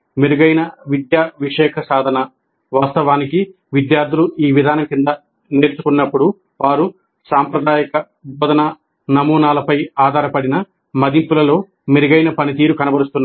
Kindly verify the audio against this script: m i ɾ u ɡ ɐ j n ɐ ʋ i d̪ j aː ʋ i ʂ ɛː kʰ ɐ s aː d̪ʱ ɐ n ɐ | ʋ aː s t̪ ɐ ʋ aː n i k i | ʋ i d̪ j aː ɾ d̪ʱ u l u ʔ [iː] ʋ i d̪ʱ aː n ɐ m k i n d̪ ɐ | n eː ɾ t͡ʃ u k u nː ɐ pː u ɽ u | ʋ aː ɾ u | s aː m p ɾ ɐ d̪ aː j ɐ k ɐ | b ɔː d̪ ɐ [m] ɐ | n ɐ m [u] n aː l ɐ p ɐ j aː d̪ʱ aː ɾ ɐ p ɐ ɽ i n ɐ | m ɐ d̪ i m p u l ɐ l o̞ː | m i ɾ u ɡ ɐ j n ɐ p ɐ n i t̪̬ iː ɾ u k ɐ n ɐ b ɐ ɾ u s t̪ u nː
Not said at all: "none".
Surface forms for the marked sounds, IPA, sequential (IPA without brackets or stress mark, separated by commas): iː, n, uː